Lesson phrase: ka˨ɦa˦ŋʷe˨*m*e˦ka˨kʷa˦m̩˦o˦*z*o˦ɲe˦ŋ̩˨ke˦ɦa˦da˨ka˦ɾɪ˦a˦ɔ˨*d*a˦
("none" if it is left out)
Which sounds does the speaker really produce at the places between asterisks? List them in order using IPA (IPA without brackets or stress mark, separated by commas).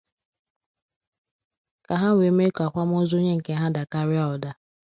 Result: m, z, d